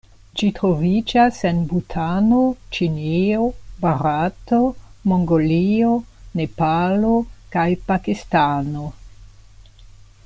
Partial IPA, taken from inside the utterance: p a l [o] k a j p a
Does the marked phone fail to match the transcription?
no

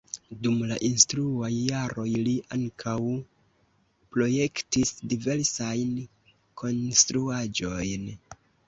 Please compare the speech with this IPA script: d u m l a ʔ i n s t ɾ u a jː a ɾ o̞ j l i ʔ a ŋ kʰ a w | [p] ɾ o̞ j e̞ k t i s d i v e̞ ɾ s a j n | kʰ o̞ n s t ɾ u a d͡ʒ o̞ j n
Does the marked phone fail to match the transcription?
no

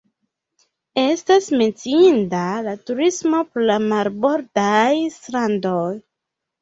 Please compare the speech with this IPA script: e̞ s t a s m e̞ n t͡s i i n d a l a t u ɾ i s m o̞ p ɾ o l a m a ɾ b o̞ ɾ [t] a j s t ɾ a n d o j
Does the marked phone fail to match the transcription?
yes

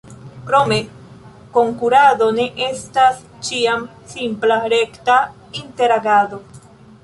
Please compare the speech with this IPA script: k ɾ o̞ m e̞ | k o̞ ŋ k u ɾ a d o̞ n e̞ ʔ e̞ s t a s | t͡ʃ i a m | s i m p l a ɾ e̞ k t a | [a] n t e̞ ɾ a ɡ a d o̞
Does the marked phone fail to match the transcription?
yes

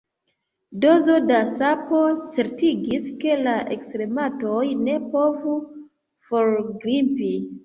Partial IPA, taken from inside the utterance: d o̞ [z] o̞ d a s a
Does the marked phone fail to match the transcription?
no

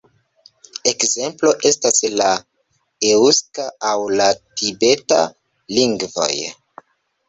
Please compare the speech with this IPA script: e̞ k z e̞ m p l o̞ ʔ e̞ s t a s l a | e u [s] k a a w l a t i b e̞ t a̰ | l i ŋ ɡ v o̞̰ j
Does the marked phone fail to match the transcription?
no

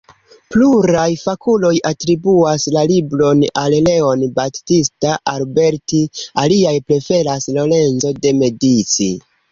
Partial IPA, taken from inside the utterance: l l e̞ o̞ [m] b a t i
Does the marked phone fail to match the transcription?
yes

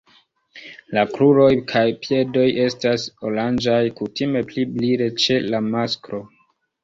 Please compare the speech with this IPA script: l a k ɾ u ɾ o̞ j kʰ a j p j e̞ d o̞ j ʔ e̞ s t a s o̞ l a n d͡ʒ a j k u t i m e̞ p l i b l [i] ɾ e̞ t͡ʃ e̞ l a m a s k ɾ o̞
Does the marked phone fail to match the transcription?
no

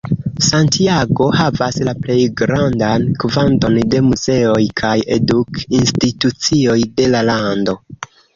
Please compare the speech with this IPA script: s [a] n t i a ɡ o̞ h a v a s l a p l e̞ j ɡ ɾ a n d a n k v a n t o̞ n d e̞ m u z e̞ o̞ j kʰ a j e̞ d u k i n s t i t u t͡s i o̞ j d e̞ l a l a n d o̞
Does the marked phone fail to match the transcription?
no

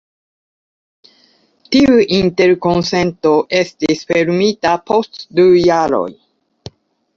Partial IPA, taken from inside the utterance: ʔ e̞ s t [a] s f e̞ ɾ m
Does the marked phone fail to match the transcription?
yes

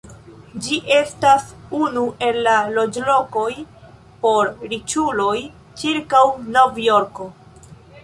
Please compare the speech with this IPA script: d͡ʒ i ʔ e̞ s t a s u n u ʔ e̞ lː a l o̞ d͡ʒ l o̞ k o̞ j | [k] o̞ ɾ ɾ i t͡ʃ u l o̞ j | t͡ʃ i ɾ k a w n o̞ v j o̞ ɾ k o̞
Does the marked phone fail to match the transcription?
yes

